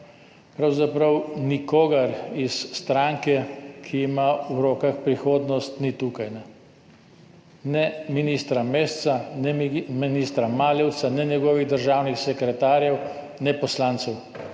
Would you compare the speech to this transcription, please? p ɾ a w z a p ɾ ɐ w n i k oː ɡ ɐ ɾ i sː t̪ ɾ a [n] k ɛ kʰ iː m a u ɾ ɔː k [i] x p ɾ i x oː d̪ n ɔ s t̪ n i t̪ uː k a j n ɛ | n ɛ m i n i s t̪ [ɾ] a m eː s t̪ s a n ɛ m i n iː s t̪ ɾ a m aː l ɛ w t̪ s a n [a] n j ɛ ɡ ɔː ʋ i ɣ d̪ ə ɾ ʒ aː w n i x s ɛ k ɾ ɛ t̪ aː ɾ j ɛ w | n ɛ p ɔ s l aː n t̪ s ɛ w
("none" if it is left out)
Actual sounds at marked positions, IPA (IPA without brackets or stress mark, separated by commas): ŋ, a, ɾ, ɛ